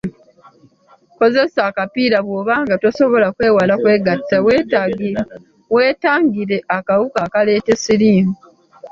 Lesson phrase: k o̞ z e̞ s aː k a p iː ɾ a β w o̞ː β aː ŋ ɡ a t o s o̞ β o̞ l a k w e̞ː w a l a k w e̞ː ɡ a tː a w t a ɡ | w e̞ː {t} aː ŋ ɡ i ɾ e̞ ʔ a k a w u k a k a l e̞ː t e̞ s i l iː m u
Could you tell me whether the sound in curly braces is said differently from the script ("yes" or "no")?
no